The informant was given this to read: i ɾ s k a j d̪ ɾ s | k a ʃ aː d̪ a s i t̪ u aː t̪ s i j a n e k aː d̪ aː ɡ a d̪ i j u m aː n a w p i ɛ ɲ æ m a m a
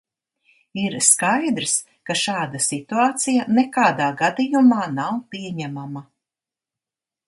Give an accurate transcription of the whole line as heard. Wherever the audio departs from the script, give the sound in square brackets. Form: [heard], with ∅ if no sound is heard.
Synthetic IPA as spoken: i ɾ s k a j d̪ ɾ s | k a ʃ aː d̪ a s i t̪ u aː t̪ s i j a n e k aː d̪ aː ɡ a d̪ i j u m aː n a w p i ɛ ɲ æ m a m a